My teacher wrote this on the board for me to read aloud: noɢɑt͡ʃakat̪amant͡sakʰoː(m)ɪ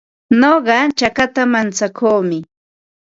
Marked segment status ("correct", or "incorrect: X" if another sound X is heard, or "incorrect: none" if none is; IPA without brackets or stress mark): correct